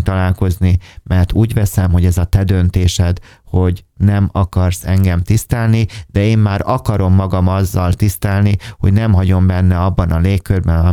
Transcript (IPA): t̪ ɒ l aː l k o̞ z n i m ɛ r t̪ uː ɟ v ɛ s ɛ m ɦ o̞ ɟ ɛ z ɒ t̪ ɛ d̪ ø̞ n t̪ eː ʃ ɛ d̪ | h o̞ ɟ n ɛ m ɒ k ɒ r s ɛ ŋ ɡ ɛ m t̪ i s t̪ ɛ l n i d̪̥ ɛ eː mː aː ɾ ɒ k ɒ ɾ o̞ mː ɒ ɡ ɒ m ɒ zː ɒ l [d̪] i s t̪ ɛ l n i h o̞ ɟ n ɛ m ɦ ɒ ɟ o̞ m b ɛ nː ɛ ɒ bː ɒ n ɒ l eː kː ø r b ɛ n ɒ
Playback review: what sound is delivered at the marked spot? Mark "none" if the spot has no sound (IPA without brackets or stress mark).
t̪